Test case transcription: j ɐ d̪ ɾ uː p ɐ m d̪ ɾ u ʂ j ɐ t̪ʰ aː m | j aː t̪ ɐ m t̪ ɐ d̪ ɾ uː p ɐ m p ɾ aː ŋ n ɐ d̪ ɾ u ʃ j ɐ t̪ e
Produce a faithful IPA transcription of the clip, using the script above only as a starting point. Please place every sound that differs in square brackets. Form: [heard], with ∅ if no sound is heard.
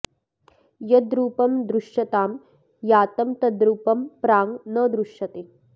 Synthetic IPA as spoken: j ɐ d̪ ɾ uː p ɐ m d̪ ɾ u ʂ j ɐ [t̪] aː m | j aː t̪ ɐ m t̪ ɐ d̪ ɾ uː p ɐ m p ɾ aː ŋ n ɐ d̪ ɾ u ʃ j ɐ t̪ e